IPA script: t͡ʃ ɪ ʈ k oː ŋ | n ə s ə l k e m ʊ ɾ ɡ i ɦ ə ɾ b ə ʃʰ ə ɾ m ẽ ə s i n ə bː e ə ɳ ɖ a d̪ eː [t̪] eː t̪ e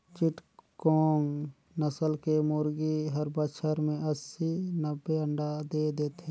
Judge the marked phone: incorrect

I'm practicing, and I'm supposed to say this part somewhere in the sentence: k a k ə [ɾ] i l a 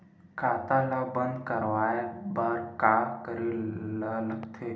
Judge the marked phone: correct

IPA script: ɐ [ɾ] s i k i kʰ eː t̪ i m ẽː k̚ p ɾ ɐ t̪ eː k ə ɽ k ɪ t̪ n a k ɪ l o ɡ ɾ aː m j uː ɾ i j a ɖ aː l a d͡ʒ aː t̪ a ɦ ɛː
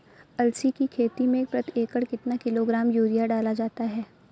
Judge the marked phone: incorrect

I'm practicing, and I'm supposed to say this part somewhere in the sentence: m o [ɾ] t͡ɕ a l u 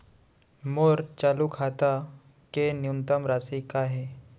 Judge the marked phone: correct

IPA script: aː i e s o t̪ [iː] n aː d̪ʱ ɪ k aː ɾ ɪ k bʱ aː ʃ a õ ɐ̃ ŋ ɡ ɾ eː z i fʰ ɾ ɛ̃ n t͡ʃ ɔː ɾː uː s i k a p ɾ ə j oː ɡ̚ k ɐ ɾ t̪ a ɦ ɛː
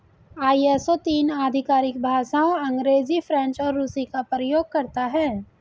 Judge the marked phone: correct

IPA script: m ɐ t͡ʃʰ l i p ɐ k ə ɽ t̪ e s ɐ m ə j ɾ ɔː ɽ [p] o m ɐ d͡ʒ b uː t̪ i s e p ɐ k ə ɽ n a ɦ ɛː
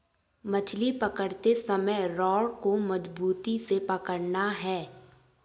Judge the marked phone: incorrect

